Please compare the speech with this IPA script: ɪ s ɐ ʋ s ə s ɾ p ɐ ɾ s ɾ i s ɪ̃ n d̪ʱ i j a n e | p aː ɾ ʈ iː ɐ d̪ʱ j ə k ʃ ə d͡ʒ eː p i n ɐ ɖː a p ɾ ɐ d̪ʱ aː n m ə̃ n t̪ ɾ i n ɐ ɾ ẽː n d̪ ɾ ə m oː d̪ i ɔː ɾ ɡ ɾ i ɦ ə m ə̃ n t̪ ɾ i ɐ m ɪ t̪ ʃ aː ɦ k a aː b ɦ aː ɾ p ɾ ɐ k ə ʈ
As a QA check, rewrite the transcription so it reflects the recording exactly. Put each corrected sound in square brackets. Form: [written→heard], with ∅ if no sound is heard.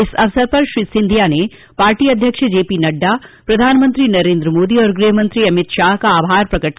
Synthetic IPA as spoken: ɪ s ɐ ʋ s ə [s→∅] ɾ p ɐ ɾ [s→ʃ] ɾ i s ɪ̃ n d̪ʱ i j a n e | p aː ɾ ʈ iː ɐ d̪ʱ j ə k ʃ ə d͡ʒ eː p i n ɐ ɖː a p ɾ ɐ d̪ʱ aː n m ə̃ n t̪ ɾ i n ɐ ɾ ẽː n d̪ ɾ ə m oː d̪ i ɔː ɾ ɡ ɾ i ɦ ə m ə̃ n t̪ ɾ i ɐ m ɪ t̪ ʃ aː ɦ k a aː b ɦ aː ɾ p ɾ ɐ k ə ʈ

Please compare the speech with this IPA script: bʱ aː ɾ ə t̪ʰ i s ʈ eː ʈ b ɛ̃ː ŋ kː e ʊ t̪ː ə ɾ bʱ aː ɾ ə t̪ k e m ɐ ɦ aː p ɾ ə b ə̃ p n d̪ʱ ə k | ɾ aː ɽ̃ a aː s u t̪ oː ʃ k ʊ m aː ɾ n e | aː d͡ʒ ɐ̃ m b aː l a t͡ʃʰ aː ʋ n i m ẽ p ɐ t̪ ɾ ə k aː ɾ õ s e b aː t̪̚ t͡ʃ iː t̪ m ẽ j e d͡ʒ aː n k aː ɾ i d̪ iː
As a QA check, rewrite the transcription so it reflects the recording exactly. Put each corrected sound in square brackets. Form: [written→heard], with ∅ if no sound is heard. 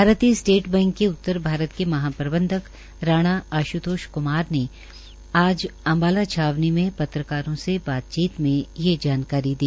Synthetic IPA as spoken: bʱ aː ɾ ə [t̪ʰ→t̪] i s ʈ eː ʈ b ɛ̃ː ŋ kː e ʊ t̪ː ə ɾ bʱ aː ɾ ə t̪ k e m ɐ ɦ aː p ɾ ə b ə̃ [p→∅] n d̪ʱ ə k | ɾ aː ɽ̃ a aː [s→ʃ] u t̪ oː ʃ k ʊ m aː ɾ n e | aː d͡ʒ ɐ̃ m b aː l a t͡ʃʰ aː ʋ n i m ẽ p ɐ t̪ ɾ ə k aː ɾ õ s e b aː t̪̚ t͡ʃ iː t̪ m ẽ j e d͡ʒ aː n k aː ɾ i d̪ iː

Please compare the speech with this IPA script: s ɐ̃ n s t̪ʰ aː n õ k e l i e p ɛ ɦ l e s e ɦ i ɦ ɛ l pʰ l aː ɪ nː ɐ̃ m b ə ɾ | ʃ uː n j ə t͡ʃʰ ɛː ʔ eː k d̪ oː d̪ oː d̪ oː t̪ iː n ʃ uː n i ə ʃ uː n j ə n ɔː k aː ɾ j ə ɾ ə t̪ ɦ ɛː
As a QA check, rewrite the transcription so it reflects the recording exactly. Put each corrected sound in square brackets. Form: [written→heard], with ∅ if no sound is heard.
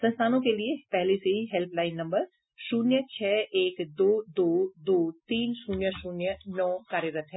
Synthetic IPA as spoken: s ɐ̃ n s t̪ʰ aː n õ k e l i e p ɛ ɦ l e s e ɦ i ɦ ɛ l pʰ l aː ɪ nː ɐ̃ m b ə ɾ | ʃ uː n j ə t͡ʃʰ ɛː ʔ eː k d̪ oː d̪ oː d̪ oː t̪ iː n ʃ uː n [i→j] ə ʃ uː n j ə n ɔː k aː ɾ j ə ɾ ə t̪ ɦ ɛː

